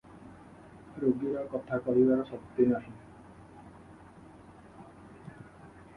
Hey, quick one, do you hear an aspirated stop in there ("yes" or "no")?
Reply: yes